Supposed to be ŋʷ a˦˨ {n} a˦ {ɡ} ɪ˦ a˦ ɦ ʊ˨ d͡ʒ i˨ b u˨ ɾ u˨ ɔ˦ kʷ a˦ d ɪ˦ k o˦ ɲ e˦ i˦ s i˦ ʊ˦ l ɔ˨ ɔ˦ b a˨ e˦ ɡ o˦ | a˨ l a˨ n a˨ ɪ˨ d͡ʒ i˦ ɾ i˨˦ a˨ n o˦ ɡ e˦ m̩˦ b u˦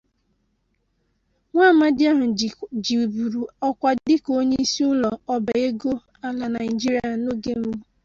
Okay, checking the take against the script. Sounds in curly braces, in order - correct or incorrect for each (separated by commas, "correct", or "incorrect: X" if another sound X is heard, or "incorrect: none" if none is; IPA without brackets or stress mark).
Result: incorrect: m, incorrect: d